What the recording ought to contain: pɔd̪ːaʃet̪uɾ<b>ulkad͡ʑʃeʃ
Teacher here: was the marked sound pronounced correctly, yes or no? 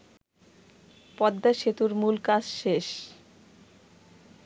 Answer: no